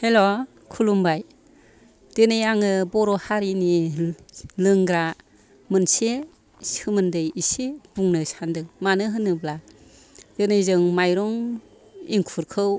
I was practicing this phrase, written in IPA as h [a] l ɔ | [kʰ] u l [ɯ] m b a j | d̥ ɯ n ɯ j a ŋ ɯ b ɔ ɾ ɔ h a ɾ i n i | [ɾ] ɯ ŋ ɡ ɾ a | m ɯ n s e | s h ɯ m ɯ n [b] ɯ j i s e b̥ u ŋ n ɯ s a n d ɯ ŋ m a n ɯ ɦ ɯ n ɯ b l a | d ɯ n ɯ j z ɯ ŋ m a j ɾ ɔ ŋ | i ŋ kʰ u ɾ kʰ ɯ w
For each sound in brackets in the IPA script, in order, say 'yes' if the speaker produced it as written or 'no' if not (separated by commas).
no, yes, no, no, no